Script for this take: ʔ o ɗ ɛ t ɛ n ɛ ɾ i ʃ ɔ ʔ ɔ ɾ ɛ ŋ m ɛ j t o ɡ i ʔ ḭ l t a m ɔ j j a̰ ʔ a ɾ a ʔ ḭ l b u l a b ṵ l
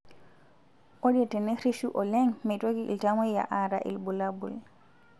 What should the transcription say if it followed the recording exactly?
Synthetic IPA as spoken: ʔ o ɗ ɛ t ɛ n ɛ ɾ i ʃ u ʔ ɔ l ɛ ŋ m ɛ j t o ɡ i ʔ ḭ l t a m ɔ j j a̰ ʔ a ɾ a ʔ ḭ l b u l a b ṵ l